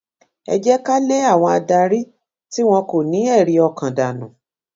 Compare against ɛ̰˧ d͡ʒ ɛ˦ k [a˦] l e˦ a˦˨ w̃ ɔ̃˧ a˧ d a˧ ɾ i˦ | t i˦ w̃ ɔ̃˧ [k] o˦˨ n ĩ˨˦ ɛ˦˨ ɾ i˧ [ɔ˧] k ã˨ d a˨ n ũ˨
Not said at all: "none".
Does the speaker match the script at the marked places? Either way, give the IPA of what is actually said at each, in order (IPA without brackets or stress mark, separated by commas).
a˦, k, ɔ˧